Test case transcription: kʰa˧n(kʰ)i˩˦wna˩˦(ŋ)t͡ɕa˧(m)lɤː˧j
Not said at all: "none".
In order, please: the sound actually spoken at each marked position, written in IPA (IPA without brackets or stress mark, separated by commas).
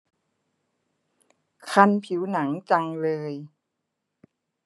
pʰ, ŋ, ŋ